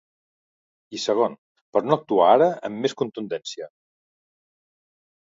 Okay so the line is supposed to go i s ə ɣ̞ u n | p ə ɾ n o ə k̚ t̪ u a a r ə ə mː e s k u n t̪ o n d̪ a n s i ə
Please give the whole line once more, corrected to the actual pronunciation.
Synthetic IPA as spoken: i s ə ɣ̞ o n | p ə ɾ n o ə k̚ t̪ u a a ɾ ə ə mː e s k u n t̪ u n d̪ ɛ n s i ə